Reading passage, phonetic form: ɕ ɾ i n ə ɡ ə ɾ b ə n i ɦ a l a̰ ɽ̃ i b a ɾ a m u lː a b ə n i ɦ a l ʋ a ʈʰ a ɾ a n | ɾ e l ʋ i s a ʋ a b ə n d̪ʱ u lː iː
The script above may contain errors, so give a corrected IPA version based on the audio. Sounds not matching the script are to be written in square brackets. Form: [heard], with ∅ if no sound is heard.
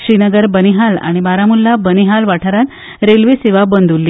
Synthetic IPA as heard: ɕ ɾ i n ə ɡ ə ɾ b ə n i ɦ a l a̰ ɽ̃ i b a ɾ a m u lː a b ə n i ɦ a l ʋ a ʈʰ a ɾ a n | ɾ e l ʋ i s [e] ʋ a b ə n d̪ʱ u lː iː